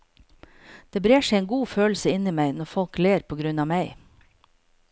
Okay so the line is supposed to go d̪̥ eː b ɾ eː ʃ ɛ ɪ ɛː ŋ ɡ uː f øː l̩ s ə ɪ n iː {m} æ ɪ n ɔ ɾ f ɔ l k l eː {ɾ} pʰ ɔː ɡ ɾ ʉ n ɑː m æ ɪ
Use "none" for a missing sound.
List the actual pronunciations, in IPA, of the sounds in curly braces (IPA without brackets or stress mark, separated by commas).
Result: m, ɾ